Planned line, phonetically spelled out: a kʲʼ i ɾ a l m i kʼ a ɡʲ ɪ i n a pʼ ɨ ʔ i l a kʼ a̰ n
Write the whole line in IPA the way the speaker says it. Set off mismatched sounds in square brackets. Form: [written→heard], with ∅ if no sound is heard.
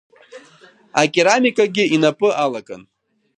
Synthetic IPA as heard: a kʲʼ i ɾ a [l→∅] m i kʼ a ɡʲ ɪ i n a pʼ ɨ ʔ [i→a] l a kʼ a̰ n